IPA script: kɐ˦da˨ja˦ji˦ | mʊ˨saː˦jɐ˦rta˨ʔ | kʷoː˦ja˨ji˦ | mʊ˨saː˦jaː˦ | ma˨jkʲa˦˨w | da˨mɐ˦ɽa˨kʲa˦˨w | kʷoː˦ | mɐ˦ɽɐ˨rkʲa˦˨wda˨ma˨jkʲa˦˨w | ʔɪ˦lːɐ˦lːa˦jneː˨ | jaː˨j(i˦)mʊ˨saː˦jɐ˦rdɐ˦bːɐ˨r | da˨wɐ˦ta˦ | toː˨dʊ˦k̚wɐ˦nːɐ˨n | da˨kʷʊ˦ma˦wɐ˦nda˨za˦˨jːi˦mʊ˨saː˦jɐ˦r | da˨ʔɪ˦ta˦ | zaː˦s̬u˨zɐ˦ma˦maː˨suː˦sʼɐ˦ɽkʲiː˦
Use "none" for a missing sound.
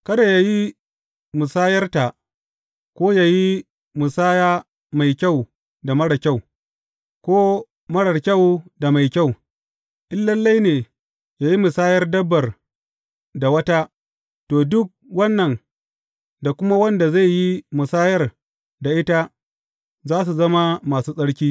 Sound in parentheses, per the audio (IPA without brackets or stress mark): i˦